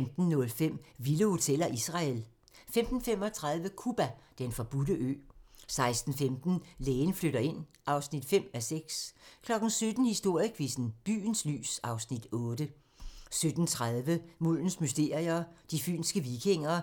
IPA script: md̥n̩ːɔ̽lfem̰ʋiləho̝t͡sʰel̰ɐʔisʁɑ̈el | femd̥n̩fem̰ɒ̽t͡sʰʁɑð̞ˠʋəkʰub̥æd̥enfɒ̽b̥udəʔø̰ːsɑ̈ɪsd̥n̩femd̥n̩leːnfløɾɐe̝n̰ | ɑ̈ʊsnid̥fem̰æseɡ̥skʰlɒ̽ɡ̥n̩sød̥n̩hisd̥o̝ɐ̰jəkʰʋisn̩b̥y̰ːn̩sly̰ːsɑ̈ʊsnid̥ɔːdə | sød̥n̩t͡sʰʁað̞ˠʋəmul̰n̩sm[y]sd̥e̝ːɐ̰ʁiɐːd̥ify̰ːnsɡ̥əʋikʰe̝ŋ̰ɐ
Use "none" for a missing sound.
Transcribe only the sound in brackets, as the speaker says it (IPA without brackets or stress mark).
y